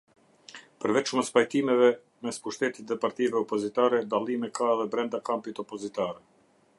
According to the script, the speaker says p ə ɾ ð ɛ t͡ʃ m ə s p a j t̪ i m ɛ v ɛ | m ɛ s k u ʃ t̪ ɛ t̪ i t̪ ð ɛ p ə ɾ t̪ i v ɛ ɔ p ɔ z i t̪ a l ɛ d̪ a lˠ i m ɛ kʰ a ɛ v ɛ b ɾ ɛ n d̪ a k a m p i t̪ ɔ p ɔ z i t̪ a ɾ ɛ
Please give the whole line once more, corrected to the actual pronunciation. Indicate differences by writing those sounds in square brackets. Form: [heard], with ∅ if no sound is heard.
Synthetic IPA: p ə ɾ [v] ɛ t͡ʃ m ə s p a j t̪ i m ɛ v ɛ | m ɛ s [p] u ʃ t̪ ɛ t̪ i t̪ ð ɛ p [a] ɾ t̪ i v ɛ ɔ p ɔ z i t̪ a [ɾ] ɛ d̪ a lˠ i m ɛ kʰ a ɛ [ð] ɛ b ɾ ɛ n d̪ a k a m p i t̪ ɔ p ɔ z i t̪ a ɾ ɛ